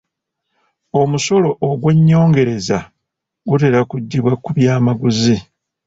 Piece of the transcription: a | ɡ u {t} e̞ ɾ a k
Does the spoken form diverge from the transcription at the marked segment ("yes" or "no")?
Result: no